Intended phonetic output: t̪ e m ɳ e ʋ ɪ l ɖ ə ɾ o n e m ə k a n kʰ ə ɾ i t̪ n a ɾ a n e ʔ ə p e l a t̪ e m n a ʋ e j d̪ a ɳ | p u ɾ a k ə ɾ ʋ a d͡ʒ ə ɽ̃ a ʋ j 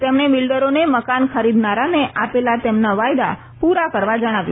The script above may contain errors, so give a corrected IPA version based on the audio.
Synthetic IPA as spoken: t̪ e m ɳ e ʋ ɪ l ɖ ə ɾ o n e m ə k a n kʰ ə ɾ i d̪ n a ɾ a n e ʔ a p e l a t̪ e m n a ʋ a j d̪ a | p u ɾ a k ə ɾ ʋ a d͡ʒ ə ɽ̃ a ʋ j